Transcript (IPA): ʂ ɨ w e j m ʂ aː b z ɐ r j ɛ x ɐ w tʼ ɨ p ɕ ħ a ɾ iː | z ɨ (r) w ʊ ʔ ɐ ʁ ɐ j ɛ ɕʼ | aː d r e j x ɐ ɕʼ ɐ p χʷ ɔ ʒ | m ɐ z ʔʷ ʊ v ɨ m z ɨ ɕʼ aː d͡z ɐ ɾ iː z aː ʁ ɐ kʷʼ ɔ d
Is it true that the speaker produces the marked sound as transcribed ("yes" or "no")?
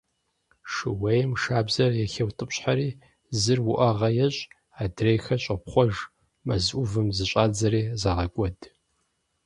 yes